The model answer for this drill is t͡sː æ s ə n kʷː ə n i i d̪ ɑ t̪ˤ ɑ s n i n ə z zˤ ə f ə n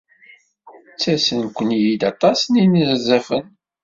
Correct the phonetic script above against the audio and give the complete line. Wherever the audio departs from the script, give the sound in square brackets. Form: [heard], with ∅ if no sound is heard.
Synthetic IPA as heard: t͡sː æ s ə n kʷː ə n [j] i d̪ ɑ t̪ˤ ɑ s n i n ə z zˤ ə f ə n